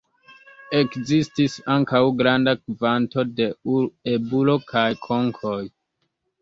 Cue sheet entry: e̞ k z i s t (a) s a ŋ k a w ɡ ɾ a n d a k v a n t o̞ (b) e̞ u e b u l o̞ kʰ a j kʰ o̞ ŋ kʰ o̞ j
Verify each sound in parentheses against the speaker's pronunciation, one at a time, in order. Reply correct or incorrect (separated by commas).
incorrect, incorrect